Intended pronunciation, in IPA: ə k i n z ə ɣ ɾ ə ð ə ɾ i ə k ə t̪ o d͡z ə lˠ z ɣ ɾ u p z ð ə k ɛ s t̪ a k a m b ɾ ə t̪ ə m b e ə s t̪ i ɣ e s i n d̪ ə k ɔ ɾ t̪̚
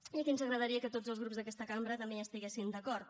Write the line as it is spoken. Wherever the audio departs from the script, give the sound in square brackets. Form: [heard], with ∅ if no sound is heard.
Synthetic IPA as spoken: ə k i n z ə ɣ ɾ ə ð ə ɾ i ə k ə t̪ o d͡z ə lˠ z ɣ ɾ u p z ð ə k ɛ s t̪ [ə] k a m b ɾ ə t̪ ə m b e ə s t̪ i ɣ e s i n d̪ ə k ɔ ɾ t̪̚